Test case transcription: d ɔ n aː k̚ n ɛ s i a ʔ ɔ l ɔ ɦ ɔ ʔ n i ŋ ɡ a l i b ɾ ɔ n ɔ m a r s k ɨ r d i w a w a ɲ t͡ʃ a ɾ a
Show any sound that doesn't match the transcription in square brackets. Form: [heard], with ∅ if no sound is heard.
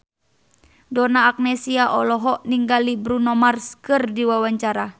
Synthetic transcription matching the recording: d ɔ n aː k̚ n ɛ s i a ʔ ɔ l ɔ ɦ ɔ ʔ n i ŋ ɡ a l i b ɾ [u] n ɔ m a r s k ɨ r d i w a w a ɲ t͡ʃ a ɾ a